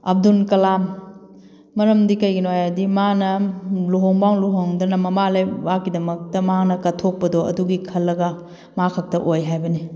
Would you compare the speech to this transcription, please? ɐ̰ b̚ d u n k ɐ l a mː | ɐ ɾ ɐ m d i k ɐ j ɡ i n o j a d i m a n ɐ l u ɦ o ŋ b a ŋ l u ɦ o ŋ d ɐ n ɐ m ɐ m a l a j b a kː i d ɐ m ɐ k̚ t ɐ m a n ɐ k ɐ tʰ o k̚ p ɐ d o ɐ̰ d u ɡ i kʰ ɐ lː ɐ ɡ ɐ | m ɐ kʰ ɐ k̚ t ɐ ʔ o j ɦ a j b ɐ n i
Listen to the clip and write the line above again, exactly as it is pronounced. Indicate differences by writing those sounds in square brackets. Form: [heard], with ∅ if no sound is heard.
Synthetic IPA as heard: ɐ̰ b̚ d u n k ɐ l a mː | ɐ ɾ ɐ m d i k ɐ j ɡ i n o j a d i m a n ɐ l u ɦ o ŋ b a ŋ l u ɦ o ŋ d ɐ n ɐ m ɐ m a l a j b a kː i d ɐ m ɐ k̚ t ɐ m a n ɐ k ɐ tʰ o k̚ p ɐ d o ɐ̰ d u ɡ i kʰ ɐ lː ɐ ɡ ɐ | m [a] kʰ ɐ k̚ t ɐ ʔ o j ɦ a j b ɐ n i